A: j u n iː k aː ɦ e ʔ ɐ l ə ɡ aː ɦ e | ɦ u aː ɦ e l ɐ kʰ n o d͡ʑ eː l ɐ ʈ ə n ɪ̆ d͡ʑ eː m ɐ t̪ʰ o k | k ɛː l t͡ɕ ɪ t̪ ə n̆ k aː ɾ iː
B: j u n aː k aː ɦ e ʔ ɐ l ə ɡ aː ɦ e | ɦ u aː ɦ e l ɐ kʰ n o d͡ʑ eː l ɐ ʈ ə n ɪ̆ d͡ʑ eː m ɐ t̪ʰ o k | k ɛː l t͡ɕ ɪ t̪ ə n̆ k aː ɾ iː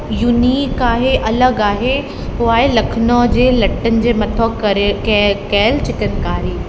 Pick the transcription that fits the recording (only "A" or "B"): A